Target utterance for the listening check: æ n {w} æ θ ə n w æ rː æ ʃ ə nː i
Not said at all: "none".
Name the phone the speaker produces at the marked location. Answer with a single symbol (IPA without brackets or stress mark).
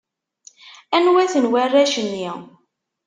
w